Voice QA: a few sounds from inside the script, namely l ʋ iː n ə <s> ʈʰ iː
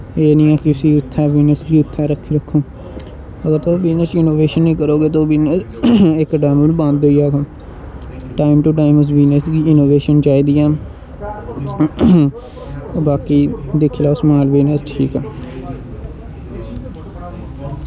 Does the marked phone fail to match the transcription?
no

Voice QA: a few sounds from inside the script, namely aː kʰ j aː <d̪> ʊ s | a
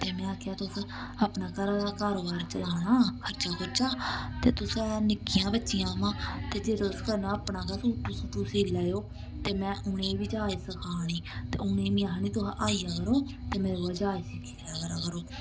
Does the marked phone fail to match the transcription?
yes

